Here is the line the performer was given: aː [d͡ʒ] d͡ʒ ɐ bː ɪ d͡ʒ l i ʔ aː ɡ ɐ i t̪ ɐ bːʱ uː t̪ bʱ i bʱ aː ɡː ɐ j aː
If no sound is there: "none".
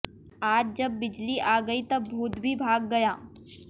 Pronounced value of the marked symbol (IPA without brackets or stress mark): d͡ʒ